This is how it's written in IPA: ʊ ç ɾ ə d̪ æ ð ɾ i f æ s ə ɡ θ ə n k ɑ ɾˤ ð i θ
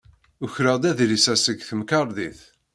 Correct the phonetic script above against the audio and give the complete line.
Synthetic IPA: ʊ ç ɾ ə d̪ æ ð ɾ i s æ s ə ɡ θ ə m k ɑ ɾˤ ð i θ

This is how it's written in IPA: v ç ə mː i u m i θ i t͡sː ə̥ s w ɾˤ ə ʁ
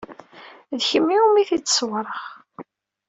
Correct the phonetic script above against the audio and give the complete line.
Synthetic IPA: ð ç ə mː i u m i θ i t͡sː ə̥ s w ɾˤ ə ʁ

